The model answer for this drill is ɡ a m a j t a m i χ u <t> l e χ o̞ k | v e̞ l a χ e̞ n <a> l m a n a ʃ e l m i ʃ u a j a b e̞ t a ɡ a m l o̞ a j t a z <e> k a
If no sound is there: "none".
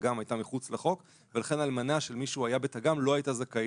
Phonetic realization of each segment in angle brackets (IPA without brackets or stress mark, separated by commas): t͡s, a, a